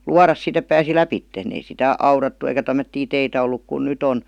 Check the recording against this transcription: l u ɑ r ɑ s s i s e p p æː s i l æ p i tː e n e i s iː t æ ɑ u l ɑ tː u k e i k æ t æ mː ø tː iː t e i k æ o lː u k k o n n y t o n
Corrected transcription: l u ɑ r ɑ s s i t e p p æː s i l æ p i tː e n e i s i t æ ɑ u r ɑ tː u e i k æ t æ mː ø tː iː t e i t æ o lː u k k u n n y t o n